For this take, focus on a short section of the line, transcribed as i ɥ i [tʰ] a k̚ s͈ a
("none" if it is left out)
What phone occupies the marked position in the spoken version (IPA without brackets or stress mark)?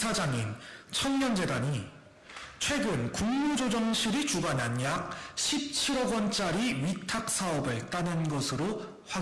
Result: tʰ